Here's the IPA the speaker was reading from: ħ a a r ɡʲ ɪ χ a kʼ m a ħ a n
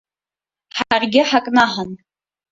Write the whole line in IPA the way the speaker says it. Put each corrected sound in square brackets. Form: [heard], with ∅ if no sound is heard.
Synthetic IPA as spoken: ħ a a r ɡʲ ɪ [ħ] a kʼ [n] a ħ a n